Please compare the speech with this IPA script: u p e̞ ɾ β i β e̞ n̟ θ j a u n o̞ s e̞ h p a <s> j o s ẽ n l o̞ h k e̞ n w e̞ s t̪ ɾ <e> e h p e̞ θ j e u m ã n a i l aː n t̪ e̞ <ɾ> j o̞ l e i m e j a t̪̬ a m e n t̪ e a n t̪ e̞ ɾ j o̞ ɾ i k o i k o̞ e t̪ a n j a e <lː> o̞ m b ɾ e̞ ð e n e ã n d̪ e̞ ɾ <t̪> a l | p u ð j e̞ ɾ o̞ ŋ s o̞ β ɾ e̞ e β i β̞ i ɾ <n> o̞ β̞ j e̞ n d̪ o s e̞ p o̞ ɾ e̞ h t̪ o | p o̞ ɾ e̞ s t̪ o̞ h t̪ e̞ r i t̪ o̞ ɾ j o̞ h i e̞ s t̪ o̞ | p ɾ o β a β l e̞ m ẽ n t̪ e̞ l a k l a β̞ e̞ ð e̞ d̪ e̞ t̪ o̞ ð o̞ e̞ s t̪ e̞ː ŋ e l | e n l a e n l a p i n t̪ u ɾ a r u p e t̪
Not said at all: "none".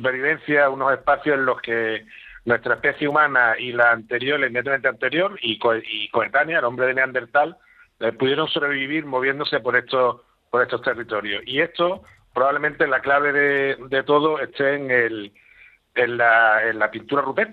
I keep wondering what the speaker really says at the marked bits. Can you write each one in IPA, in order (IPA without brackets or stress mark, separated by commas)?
θ, a, ɾ, l, t̪, m